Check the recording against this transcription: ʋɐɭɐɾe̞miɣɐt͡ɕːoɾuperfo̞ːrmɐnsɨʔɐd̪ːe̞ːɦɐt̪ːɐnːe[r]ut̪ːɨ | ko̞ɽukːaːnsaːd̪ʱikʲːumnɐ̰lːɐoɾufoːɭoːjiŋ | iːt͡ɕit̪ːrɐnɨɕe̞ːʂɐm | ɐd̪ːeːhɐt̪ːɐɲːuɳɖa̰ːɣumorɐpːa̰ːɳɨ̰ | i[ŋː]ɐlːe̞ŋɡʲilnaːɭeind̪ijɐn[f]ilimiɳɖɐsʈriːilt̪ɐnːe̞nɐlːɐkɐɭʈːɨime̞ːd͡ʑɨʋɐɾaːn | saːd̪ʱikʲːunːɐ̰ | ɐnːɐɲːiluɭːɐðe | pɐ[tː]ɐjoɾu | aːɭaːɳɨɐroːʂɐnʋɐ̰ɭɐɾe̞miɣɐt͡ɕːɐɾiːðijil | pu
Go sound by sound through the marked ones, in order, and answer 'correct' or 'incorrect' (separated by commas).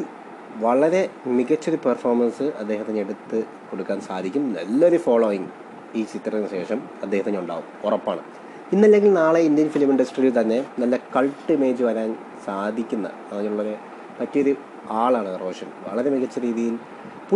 incorrect, incorrect, correct, correct